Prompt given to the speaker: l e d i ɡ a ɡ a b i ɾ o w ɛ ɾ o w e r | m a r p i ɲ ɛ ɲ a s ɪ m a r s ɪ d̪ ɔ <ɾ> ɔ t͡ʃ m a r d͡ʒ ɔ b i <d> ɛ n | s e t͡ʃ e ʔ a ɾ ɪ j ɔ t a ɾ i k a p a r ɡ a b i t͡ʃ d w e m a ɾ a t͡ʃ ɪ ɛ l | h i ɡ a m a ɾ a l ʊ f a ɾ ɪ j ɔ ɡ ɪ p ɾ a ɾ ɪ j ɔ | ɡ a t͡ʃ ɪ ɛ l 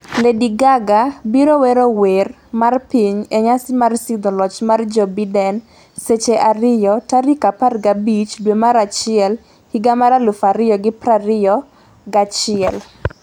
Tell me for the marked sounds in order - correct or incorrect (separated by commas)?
incorrect, correct